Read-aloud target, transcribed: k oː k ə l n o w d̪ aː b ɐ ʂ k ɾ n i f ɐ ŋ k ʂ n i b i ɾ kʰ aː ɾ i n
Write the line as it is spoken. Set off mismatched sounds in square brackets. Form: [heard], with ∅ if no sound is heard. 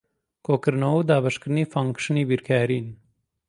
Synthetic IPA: k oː k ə [ɾ] n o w d̪ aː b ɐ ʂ k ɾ n i f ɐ ŋ k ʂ n i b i ɾ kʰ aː ɾ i n